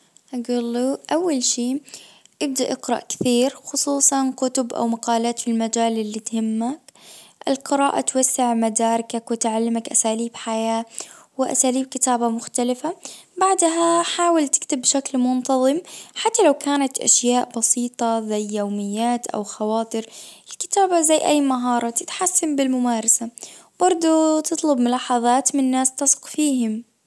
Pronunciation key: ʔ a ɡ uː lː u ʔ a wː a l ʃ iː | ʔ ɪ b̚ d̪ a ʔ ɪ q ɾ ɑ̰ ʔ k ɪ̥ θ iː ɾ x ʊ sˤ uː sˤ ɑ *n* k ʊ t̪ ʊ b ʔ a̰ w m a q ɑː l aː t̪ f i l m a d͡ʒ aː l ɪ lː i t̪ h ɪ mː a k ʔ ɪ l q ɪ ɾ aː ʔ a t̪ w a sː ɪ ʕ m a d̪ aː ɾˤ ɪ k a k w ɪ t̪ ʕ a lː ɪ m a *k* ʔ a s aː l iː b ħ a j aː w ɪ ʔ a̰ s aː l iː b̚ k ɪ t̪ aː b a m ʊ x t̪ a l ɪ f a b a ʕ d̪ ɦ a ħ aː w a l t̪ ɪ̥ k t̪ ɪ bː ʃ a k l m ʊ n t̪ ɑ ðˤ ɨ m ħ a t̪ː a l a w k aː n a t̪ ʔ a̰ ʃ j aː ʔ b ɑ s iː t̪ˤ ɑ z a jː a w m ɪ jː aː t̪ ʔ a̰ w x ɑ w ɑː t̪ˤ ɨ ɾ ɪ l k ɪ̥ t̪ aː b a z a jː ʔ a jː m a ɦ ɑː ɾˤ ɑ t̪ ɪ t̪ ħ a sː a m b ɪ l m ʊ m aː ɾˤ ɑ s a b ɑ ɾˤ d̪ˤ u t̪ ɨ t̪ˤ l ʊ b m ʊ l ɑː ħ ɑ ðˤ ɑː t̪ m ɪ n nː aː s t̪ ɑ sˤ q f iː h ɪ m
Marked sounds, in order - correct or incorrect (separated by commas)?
correct, correct